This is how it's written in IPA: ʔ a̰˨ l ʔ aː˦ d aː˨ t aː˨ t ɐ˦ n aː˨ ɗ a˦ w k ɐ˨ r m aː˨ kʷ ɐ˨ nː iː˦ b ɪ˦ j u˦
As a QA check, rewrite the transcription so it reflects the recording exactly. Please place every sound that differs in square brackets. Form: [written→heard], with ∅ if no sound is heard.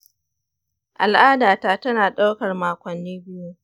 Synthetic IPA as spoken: ʔ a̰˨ l ʔ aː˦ d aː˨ t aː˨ t ɐ˦ n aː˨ ɗ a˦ w k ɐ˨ r m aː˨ kʷ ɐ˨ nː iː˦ b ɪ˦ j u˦